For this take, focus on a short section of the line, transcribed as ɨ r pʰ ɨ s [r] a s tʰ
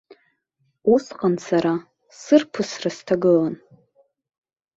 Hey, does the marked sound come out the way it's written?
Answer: yes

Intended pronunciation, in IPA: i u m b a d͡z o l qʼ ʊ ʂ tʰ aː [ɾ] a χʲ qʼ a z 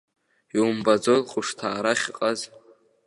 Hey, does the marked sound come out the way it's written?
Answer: yes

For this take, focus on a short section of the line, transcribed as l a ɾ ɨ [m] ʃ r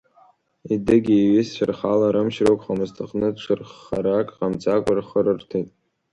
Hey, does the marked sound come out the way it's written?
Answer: yes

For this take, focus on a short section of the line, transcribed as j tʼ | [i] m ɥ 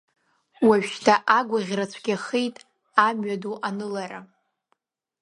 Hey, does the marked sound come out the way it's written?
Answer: no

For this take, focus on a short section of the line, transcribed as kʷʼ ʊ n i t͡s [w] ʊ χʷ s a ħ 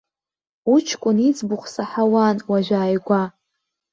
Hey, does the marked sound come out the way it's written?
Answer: no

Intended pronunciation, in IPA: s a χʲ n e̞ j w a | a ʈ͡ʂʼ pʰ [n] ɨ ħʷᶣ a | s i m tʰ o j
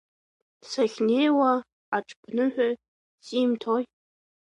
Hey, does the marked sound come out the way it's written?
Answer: yes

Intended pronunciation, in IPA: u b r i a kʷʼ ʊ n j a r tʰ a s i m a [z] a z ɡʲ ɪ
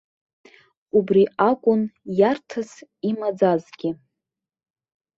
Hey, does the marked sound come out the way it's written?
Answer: no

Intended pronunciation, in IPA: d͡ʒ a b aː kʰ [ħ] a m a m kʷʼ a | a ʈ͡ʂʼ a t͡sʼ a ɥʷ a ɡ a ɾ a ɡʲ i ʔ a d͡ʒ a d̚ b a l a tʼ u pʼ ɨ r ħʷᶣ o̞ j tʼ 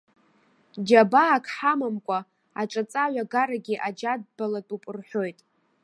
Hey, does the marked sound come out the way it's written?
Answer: yes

